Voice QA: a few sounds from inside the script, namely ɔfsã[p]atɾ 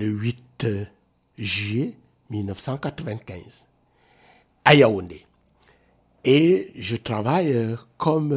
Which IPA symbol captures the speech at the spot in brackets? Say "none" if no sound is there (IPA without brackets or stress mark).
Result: k